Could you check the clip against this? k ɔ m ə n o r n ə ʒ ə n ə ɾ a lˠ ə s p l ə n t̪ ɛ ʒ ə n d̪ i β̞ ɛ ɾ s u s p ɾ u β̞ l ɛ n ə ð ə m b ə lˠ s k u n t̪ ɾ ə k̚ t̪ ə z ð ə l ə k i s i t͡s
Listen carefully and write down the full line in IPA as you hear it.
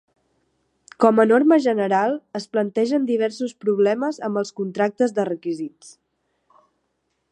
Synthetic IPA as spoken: k ɔ m ə n o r m ə ʒ ə n ə ɾ a lˠ ə s p l ə n t̪ ɛ ʒ ə n d̪ i β̞ ɛ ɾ s u s p ɾ u β̞ l ɛ m ə z ə m b ə lˠ s k u n t̪ ɾ a k̚ t̪ ə z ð ə r ə k i z i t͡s